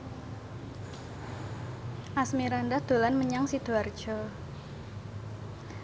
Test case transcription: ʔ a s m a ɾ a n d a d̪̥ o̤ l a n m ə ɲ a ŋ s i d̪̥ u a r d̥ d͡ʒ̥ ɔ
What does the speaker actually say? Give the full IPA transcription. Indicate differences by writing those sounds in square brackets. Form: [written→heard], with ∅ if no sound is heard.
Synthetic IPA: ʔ a s m [a→i] ɾ a n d a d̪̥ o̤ l a n m ə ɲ a ŋ s i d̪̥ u a r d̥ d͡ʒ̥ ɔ